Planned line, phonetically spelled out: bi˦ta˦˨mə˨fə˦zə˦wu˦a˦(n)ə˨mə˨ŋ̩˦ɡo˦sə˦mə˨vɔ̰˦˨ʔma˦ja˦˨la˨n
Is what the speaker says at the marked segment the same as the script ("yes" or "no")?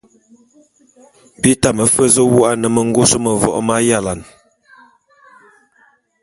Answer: yes